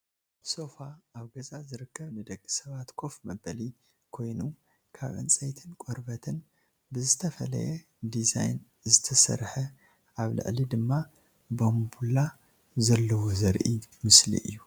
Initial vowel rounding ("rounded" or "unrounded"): rounded